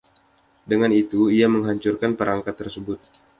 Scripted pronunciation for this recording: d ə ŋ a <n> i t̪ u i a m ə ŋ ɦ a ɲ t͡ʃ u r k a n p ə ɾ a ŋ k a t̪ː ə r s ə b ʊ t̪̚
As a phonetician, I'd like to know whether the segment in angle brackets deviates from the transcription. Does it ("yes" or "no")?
no